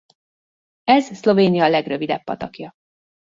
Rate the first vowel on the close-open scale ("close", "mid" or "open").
mid